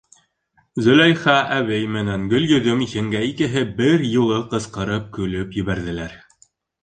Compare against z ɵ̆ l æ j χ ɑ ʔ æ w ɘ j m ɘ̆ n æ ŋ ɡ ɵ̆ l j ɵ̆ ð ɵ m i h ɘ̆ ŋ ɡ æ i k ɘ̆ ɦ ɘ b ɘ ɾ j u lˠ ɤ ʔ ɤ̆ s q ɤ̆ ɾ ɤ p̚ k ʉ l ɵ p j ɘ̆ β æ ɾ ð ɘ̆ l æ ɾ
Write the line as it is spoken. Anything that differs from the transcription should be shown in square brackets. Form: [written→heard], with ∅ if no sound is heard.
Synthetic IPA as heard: z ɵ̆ l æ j χ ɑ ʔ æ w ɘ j m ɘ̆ n æ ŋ ɡ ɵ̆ l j ɵ̆ ð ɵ m i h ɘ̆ ŋ ɡ æ i k ɘ̆ ɦ ɘ b ɘ ɾ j u lˠ ɤ [ʔ→q] ɤ̆ s q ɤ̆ ɾ ɤ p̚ k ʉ l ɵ p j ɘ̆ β æ ɾ ð ɘ̆ l æ ɾ